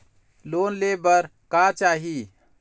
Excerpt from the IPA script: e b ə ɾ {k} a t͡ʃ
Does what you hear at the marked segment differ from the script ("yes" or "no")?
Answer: no